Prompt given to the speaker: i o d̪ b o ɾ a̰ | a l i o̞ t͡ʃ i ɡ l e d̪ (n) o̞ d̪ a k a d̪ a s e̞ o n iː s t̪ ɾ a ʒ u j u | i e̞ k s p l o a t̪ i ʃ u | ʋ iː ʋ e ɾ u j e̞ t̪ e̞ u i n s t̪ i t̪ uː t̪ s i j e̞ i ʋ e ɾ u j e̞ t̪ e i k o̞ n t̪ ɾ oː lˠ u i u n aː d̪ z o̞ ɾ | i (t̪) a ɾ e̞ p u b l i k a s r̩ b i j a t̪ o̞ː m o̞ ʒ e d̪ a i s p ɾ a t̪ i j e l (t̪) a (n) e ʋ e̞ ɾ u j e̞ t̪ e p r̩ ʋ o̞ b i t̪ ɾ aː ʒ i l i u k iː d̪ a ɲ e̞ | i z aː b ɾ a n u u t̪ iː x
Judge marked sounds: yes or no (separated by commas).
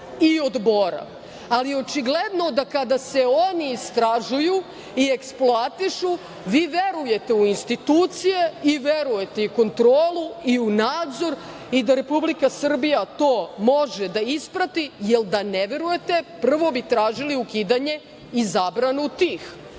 yes, no, no, yes